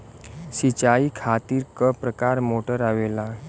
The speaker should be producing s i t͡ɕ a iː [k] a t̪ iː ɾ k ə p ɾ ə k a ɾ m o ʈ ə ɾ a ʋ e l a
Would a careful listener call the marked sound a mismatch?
yes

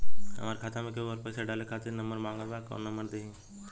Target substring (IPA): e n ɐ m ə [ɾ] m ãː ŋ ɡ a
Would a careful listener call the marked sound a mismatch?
no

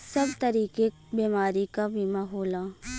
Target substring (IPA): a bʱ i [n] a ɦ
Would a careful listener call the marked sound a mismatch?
yes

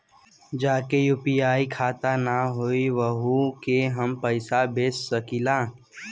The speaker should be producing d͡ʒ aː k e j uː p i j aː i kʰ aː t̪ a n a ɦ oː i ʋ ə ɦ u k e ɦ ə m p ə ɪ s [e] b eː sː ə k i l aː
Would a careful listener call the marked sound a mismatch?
yes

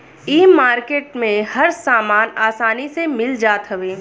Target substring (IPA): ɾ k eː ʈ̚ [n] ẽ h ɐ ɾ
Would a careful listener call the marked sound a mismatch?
yes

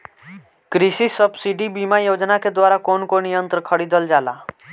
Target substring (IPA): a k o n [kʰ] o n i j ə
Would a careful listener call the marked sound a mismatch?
yes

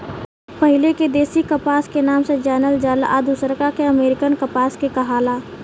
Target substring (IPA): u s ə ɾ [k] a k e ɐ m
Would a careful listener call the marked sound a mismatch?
no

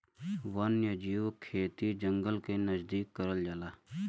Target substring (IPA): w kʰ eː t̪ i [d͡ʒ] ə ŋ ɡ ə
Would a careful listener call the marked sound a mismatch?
no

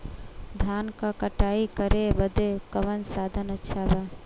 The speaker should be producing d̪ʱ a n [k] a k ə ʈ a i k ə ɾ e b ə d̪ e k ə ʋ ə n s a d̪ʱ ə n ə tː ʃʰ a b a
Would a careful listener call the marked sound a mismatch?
no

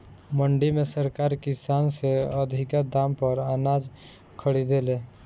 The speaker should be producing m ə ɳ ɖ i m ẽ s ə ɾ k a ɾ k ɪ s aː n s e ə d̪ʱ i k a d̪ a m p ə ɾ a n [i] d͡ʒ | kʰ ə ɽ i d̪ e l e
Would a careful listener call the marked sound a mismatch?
yes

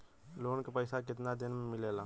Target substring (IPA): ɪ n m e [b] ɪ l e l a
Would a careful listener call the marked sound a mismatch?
yes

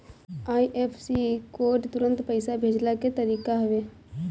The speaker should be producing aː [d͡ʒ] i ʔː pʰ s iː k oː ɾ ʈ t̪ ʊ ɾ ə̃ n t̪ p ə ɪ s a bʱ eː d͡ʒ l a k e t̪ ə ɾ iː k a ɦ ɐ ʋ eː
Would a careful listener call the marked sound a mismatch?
yes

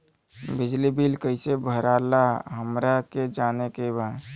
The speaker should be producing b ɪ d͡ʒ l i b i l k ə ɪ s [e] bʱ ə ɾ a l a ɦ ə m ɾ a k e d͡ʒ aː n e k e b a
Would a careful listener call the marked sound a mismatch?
no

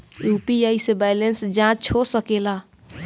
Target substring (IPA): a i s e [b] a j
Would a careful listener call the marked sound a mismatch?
no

